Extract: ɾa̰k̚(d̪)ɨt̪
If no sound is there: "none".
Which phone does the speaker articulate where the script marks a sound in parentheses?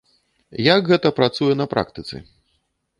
t̪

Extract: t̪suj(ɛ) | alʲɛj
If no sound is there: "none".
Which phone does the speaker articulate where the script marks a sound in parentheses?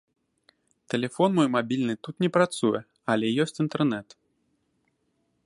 ɛ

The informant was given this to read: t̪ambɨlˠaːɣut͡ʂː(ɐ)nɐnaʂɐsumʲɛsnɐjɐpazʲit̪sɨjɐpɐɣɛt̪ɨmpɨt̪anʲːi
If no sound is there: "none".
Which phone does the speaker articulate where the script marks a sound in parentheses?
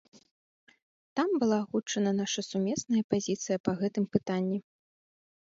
ɐ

